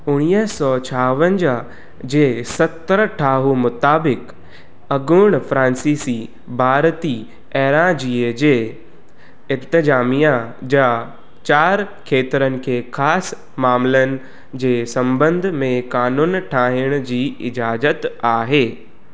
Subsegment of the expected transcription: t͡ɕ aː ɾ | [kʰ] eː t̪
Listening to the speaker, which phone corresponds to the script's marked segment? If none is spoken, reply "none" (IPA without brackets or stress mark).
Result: kʰ